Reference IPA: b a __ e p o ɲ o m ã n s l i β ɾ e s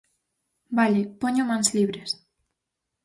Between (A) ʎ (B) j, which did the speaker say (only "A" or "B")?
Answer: A